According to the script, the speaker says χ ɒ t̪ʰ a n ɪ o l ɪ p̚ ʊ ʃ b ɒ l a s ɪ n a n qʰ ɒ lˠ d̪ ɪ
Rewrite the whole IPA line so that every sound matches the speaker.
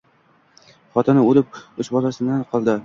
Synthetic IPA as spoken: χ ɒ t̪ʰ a n ɪ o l ɪ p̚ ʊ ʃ b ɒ l a s ɪ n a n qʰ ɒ lˠ d̪ ɪ